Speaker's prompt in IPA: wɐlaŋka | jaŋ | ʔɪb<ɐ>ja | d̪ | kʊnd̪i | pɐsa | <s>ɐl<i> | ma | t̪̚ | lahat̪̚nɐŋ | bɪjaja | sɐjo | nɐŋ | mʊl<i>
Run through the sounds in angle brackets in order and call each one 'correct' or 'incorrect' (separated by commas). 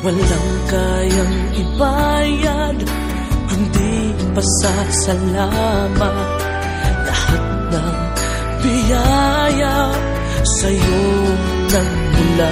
incorrect, correct, incorrect, incorrect